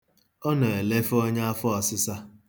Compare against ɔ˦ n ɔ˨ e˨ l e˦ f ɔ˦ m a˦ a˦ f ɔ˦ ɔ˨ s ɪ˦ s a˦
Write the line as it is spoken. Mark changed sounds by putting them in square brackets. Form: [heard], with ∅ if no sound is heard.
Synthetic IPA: ɔ˦ n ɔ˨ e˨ l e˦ f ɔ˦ [ɲ] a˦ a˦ f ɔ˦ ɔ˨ s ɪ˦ s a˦

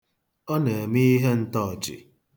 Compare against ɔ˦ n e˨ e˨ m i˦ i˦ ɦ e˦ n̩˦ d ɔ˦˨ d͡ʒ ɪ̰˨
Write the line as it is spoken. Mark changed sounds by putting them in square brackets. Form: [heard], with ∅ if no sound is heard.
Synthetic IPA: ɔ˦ n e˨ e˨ m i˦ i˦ ɦ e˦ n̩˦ [t] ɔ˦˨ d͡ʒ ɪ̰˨

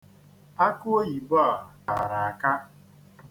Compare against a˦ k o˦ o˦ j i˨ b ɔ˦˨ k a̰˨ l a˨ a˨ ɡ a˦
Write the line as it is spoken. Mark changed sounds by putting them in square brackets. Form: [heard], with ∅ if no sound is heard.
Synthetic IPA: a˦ k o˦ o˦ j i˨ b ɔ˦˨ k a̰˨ [ɾ] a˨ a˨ [k] a˦

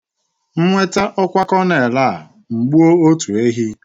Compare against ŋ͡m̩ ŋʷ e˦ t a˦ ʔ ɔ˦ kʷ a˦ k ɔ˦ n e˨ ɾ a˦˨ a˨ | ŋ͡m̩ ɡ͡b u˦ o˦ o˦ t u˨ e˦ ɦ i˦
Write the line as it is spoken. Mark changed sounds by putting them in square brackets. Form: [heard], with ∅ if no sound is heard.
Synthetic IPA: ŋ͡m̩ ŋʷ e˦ t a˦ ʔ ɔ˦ kʷ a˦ k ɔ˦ n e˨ [l] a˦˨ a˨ | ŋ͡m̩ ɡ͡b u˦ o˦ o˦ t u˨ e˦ ɦ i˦

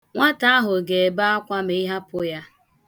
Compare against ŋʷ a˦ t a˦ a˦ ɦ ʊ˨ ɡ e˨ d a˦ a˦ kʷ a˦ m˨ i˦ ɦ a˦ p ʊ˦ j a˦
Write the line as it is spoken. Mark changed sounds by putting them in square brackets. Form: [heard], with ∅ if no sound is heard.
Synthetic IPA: ŋʷ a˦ t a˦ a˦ ɦ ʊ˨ ɡ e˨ [b] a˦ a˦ kʷ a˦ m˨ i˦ ɦ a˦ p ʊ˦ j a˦

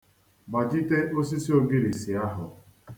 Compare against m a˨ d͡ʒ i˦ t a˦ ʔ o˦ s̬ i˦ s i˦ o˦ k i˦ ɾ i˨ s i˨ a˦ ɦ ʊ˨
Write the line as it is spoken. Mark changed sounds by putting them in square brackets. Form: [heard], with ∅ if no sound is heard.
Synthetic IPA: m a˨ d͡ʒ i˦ t [e˦] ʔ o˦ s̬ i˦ s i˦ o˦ [ɡ] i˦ ɾ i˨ s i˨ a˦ ɦ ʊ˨

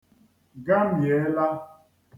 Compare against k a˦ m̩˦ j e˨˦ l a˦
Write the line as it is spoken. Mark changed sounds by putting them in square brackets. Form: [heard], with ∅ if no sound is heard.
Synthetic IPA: [ɡ] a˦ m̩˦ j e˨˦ l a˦

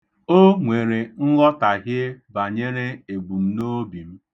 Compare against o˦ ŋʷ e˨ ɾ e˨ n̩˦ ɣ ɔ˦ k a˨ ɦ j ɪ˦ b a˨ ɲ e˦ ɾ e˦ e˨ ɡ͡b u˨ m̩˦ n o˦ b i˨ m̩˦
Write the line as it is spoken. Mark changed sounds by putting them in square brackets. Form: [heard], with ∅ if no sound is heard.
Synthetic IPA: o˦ ŋʷ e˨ ɾ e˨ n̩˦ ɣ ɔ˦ [t] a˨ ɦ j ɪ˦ b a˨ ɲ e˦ ɾ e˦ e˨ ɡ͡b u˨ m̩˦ n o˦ b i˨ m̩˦

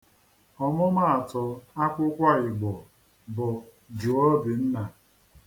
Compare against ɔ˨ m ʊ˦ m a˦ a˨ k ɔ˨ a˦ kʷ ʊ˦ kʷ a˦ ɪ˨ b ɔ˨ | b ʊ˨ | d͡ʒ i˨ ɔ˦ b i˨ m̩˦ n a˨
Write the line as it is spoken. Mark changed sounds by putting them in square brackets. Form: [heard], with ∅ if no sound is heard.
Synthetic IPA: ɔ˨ m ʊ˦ m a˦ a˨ [t] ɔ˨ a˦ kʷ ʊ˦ kʷ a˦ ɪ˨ [ɡ͡b] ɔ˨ | b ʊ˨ | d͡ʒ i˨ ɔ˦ b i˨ [n̩˦] n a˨

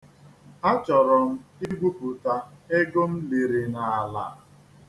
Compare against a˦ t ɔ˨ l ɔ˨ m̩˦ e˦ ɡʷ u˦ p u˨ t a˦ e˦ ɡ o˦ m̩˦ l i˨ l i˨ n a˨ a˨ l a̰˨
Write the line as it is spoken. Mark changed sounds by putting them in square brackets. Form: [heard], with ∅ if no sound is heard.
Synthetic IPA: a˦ [t͡ʃ] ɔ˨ [ɾ] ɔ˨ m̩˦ [i˦] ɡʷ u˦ p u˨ t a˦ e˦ ɡ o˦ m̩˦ l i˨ [ɾ] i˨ n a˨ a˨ l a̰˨

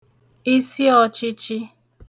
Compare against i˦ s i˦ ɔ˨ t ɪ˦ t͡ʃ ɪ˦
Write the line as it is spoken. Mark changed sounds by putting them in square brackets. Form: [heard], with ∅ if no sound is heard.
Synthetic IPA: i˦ s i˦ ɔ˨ [t͡ʃ] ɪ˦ t͡ʃ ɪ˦

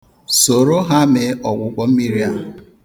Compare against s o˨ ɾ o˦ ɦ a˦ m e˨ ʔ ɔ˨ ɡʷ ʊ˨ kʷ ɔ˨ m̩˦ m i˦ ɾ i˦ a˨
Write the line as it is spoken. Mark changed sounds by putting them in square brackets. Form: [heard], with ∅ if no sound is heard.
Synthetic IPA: s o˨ ɾ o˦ ɦ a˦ m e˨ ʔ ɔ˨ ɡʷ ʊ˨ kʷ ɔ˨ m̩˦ m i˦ ɾ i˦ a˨

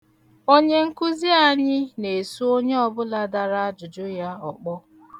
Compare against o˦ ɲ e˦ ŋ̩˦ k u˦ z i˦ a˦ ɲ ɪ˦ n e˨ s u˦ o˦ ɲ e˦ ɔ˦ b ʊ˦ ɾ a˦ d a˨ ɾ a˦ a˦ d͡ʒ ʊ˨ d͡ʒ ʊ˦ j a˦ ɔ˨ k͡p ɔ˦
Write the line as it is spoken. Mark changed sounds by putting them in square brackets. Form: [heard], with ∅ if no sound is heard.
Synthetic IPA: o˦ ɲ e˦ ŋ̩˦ k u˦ z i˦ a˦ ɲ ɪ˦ n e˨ s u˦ o˦ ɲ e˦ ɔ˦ b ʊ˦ [l] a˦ d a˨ ɾ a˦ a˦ d͡ʒ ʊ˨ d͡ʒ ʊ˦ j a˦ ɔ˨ k͡p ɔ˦

